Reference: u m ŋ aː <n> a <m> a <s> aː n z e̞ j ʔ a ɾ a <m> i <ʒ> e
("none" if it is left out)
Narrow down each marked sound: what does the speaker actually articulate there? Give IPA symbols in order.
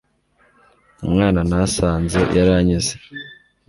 n, n, s, ɲ, z

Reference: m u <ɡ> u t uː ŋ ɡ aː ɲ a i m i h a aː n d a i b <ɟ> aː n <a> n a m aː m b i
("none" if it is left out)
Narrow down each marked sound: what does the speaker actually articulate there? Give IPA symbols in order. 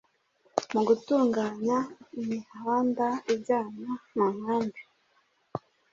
ɡ, ɟ, a

